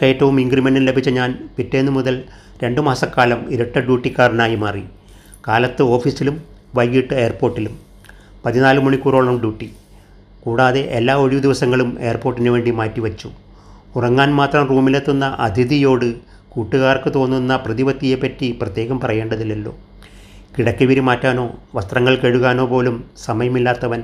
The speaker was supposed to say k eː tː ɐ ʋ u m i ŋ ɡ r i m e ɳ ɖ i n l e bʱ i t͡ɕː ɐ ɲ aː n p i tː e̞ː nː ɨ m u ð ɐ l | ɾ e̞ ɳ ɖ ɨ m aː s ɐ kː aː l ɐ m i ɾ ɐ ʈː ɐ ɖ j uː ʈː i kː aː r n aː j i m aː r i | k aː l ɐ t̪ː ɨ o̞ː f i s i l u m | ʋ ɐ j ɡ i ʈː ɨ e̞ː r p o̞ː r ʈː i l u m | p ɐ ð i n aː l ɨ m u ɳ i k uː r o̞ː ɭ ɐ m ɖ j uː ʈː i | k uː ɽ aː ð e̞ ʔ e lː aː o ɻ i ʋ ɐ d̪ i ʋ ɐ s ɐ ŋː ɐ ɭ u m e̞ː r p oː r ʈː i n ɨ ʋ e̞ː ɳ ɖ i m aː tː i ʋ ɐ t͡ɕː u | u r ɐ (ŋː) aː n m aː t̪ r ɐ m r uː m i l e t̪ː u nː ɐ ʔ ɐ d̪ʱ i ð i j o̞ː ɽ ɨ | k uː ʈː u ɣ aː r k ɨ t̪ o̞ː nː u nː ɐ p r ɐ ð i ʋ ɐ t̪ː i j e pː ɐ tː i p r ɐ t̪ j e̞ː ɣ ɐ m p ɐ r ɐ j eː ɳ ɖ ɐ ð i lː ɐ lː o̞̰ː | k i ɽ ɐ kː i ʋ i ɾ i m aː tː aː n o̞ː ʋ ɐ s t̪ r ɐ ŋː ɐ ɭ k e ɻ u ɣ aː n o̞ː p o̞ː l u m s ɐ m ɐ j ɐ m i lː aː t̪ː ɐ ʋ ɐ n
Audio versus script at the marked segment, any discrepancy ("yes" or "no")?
no